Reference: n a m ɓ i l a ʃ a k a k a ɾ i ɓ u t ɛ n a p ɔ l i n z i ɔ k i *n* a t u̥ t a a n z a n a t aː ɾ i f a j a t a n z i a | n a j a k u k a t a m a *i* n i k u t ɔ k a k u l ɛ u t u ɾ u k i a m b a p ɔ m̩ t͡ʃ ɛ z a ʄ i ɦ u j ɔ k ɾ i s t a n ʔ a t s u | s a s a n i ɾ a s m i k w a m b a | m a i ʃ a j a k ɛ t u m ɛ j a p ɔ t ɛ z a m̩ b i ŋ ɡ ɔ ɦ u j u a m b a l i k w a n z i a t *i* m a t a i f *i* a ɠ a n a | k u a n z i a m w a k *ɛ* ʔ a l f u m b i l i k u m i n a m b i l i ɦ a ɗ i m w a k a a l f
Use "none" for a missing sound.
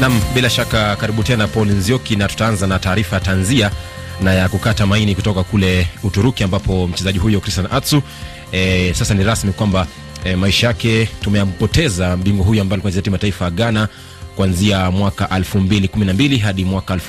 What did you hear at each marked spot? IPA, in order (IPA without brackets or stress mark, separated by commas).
n, i, i, a, a